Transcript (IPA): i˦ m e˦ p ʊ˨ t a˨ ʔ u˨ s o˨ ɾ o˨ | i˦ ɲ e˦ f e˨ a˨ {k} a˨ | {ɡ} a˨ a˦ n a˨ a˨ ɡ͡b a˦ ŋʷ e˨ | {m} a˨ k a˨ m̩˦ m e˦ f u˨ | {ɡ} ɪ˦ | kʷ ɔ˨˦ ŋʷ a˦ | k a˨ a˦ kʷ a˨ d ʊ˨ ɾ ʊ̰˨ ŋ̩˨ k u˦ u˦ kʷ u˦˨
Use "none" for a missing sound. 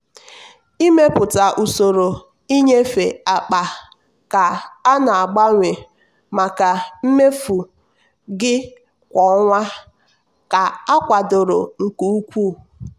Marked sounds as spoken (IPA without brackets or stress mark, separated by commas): k͡p, k, m, ɡ